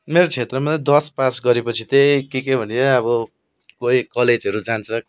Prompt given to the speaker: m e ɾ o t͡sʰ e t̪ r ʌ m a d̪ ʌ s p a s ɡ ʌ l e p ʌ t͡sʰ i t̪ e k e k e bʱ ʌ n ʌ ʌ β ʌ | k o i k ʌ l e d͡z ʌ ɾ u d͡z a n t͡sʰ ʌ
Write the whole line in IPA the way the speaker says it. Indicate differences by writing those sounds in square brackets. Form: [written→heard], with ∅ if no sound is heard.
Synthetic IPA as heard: m e ɾ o t͡sʰ e t̪ r ʌ m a d̪ ʌ s p a s ɡ ʌ [l→ɾ] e p ʌ t͡sʰ i t̪ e k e k e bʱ ʌ n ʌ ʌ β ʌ | k o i k ʌ l e d͡z ʌ ɾ u d͡z a n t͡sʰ ʌ